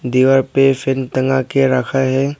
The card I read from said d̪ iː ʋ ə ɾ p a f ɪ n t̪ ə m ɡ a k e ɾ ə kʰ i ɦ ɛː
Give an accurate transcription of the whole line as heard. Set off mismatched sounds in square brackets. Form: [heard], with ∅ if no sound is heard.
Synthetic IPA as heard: d̪ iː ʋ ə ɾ p [e] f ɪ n t̪ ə [ŋ] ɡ a k e ɾ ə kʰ [a] ɦ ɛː